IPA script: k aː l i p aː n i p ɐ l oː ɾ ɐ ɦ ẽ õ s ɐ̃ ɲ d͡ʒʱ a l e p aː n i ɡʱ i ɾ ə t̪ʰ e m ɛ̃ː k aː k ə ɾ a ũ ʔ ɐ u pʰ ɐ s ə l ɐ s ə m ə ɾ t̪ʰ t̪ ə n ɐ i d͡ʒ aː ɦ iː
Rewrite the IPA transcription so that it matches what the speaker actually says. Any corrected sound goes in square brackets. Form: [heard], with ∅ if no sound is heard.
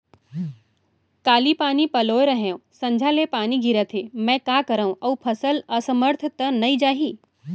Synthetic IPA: k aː l i p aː n i p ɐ l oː ɾ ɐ ɦ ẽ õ s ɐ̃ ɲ d͡ʒʱ a l e p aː n i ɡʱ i ɾ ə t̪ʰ e m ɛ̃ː k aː k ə ɾ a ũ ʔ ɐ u pʰ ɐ s ə l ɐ s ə m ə ɾ t̪ʰ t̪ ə n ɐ i d͡ʒ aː ɦ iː

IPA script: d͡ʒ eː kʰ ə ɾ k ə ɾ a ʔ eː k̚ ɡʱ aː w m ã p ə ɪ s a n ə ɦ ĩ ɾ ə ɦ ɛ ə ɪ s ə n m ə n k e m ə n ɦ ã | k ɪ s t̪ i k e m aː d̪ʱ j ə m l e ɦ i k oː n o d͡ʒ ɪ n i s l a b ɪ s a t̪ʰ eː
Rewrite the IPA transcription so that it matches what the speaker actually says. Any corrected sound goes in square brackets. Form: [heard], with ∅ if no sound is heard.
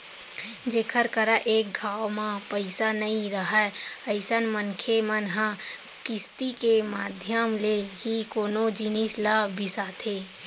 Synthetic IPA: d͡ʒ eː kʰ ə ɾ k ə ɾ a ʔ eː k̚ ɡʱ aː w m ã p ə ɪ s a n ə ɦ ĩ ɾ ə ɦ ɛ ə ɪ s ə n m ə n [kʰ] e m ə n ɦ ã | k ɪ s t̪ i k e m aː d̪ʱ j ə m l e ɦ i k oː n o d͡ʒ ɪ n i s l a b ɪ s a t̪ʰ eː

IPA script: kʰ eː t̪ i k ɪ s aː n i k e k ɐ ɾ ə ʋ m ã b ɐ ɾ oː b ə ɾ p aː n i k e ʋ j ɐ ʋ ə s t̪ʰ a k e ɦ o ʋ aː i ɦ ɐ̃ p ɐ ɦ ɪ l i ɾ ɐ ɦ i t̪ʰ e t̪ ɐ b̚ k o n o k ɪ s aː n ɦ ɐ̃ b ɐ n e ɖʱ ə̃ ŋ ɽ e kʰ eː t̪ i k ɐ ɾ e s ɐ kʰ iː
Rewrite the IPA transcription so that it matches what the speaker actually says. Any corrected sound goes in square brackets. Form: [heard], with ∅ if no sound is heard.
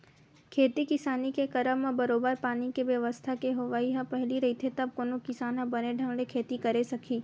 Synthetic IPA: kʰ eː t̪ i k ɪ s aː n i k e k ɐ ɾ ə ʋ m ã b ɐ ɾ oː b ə ɾ p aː n i k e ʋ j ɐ ʋ ə s t̪ʰ a k e ɦ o ʋ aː i ɦ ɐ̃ p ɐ ɦ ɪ l i ɾ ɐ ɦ i t̪ʰ e t̪ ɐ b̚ k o n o k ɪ s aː n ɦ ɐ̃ b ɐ n e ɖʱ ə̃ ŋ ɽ e kʰ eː t̪ i k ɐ ɾ e s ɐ kʰ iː

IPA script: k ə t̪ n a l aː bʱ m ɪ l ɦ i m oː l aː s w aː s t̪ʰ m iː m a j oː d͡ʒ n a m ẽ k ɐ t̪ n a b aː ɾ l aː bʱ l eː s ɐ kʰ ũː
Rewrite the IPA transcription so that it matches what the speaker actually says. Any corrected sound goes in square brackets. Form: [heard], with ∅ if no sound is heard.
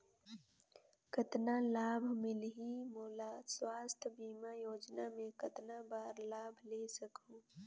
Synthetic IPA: k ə t̪ n a l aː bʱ m ɪ l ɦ i m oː l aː s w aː s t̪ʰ [b] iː m a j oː d͡ʒ n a m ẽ k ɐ t̪ n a b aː ɾ l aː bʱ l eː s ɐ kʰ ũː

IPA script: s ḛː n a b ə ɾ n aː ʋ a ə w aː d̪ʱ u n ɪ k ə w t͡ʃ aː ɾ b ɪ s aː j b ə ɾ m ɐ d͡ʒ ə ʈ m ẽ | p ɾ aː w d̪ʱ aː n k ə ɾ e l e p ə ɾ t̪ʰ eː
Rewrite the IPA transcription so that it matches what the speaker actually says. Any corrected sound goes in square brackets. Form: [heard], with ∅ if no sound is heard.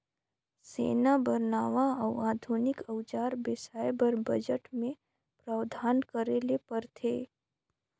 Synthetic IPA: s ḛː n a b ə ɾ n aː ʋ a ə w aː d̪ʱ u n ɪ k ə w t͡ʃ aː ɾ b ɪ s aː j b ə ɾ [b] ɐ d͡ʒ ə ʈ m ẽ | p ɾ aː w d̪ʱ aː n k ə ɾ e l e p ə ɾ t̪ʰ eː

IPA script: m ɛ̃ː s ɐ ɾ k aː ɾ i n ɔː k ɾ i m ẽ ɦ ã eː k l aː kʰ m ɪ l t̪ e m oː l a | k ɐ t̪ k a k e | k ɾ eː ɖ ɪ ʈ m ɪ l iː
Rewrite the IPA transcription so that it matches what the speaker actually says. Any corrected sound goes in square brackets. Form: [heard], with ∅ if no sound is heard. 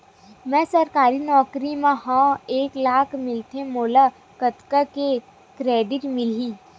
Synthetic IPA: m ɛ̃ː s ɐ ɾ k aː ɾ i n ɔː k ɾ i m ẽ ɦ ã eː k l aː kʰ m ɪ l t̪ e m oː l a | k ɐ t̪ k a k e | k ɾ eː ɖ ɪ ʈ m ɪ l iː

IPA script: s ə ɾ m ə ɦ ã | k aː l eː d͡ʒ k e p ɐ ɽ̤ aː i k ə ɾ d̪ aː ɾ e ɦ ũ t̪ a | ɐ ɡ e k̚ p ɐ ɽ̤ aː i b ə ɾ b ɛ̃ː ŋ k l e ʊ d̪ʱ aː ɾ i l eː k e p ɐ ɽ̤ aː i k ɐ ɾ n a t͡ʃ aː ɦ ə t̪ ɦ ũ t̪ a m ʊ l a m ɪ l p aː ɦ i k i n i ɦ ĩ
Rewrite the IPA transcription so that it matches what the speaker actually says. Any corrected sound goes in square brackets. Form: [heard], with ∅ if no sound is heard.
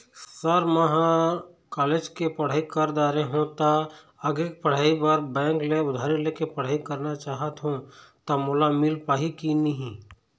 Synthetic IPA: s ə ɾ m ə ɦ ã | k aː l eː d͡ʒ k e p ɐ ɽ̤ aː i k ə ɾ d̪ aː ɾ e ɦ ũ t̪ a | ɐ ɡ e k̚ p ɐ ɽ̤ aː i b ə ɾ b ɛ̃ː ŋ k l e ʊ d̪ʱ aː ɾ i l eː k e p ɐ ɽ̤ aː i k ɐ ɾ n a t͡ʃ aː ɦ ə t̪ ɦ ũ t̪ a m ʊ l a m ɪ l p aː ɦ i k i n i ɦ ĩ

